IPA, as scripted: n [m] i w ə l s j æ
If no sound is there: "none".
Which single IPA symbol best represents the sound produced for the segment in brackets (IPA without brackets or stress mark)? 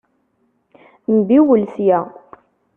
b